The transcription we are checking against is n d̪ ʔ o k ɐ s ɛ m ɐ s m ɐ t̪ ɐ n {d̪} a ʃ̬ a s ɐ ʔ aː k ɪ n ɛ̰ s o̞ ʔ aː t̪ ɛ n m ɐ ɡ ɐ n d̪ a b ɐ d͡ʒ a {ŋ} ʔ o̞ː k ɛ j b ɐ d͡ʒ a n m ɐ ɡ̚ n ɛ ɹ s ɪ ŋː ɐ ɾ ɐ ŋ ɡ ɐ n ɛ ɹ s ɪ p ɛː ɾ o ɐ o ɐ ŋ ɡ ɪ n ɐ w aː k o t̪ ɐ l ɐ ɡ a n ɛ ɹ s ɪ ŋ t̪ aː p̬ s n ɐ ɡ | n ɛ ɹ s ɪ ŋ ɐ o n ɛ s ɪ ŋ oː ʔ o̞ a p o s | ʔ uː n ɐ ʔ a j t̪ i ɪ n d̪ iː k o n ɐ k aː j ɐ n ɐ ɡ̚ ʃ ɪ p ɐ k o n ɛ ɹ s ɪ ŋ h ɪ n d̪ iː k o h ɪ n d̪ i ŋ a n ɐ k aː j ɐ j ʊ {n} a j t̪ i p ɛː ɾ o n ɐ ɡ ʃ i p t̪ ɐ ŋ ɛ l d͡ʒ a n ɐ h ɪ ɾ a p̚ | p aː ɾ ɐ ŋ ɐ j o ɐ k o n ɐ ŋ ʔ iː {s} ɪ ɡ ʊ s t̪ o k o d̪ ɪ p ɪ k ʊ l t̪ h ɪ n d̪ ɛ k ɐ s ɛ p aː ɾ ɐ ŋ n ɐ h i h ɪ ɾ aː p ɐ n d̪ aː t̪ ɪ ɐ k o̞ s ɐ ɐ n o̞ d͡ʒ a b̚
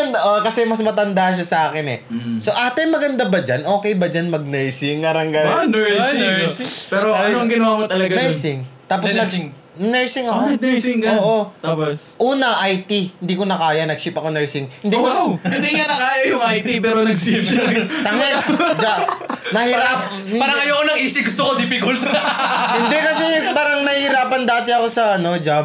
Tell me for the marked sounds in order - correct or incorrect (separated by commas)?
correct, incorrect, incorrect, correct